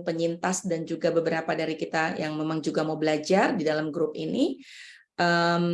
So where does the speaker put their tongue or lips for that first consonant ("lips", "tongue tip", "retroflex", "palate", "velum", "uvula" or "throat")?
lips